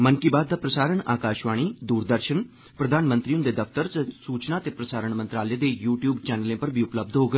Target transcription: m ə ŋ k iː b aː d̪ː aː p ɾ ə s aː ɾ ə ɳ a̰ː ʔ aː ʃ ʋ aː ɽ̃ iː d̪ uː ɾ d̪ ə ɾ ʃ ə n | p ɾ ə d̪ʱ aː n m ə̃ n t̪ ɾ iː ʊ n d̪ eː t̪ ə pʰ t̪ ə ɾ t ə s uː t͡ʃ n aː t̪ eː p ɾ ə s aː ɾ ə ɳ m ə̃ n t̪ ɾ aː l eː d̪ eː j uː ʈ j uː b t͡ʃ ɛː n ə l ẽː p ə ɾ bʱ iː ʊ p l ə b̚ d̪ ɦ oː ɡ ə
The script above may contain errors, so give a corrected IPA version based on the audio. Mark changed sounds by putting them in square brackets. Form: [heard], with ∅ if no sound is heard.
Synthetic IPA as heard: m ə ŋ k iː b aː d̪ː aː p ɾ ə s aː ɾ ə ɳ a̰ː [k] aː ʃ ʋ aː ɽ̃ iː d̪ uː ɾ d̪ ə ɾ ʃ ə n | p ɾ ə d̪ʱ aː n m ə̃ n t̪ ɾ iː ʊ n d̪ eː [d̪] ə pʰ t̪ ə ɾ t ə s uː t͡ʃ n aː t̪ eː p ɾ ə s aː ɾ ə ɳ m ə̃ n t̪ ɾ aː l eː d̪ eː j uː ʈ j uː b t͡ʃ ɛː n ə l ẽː p ə ɾ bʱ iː ʊ p l ə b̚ d̪ ɦ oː ɡ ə

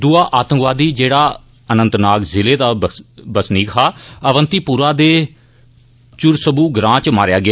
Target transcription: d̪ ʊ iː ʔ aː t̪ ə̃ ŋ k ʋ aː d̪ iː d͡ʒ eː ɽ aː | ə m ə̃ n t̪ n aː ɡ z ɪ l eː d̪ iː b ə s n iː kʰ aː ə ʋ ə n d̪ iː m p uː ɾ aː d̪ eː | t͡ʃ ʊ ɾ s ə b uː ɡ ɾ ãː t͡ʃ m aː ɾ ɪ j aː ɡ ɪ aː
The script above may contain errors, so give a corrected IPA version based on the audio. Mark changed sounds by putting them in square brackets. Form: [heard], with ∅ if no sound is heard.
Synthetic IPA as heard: d̪ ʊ [aː] ʔ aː t̪ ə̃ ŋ k ʋ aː d̪ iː d͡ʒ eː ɽ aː | ə [n] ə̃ n t̪ n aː [k] z ɪ l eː d̪ [aː] b ə s n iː kʰ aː ə ʋ ə n [t̪] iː [∅] p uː ɾ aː d̪ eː | t͡ʃ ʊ ɾ s ə b uː ɡ ɾ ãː t͡ʃ m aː ɾ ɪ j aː ɡ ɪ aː

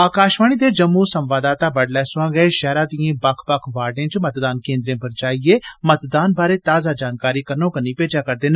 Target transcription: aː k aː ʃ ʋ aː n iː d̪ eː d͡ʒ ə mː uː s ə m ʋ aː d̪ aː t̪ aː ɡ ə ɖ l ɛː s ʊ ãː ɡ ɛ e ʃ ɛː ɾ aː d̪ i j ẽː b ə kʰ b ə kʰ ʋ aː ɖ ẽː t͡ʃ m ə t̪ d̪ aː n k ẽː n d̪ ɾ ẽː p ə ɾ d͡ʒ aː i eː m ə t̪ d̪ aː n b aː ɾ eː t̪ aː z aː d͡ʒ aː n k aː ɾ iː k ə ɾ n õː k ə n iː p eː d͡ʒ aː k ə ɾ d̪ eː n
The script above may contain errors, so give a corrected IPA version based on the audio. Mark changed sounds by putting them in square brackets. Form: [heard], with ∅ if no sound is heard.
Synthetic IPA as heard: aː k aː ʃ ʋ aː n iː d̪ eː d͡ʒ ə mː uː s ə m ʋ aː d̪ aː t̪ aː [b] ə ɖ l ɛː s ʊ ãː ɡ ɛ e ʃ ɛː ɾ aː d̪ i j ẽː b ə kʰ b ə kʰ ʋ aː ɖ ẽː t͡ʃ m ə t̪ d̪ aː n k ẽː n d̪ ɾ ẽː p ə ɾ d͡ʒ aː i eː m ə t̪ d̪ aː n b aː ɾ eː t̪ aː z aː d͡ʒ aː n k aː ɾ iː k ə ɾ n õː k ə n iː p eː d͡ʒ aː k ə ɾ d̪ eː n

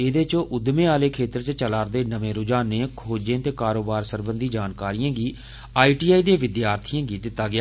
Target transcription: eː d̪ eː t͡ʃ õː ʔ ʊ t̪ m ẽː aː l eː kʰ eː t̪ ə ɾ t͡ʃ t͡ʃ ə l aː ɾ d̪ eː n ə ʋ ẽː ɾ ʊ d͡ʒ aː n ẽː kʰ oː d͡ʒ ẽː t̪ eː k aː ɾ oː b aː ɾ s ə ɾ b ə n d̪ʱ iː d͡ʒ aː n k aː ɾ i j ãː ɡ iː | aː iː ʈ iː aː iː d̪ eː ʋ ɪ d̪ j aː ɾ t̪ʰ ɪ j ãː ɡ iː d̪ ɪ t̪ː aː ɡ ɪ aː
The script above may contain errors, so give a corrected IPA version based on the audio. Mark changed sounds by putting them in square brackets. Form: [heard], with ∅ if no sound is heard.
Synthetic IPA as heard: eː d̪ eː t͡ʃ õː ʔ ʊ [d̪] m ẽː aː l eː kʰ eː t̪ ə ɾ t͡ʃ t͡ʃ ə l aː ɾ d̪ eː n ə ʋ ẽː ɾ ʊ d͡ʒ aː n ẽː kʰ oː d͡ʒ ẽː t̪ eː k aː ɾ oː b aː ɾ s ə ɾ b ə n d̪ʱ iː d͡ʒ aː n k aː ɾ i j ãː ɡ iː | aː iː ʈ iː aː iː d̪ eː ʋ ɪ d̪ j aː ɾ t̪ʰ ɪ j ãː ɡ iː d̪ ɪ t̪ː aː ɡ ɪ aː

